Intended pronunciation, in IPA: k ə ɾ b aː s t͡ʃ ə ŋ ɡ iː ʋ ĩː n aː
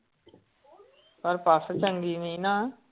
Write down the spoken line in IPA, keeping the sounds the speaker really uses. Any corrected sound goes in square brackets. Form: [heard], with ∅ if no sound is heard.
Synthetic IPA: [p] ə ɾ [p] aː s t͡ʃ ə ŋ ɡ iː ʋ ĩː n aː